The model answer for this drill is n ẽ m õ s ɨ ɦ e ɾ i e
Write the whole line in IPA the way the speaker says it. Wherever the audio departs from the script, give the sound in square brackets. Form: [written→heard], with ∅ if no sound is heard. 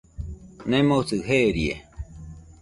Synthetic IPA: n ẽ m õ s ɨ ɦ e ɾ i e